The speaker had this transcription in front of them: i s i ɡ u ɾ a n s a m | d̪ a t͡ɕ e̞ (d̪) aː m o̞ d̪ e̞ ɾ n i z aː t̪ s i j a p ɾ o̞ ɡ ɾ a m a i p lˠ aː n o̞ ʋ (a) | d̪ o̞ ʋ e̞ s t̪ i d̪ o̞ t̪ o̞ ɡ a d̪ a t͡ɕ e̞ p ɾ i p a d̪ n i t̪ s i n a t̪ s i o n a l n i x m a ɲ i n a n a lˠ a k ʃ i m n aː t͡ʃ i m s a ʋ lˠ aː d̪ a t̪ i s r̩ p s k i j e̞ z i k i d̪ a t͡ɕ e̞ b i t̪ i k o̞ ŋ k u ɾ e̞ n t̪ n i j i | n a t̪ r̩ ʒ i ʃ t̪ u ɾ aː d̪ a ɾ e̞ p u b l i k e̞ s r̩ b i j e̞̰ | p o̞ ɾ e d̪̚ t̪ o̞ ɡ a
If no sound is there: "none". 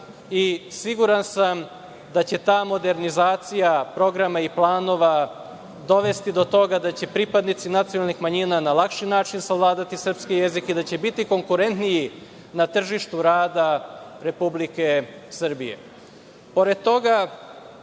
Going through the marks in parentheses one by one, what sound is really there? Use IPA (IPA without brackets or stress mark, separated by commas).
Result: t̪, a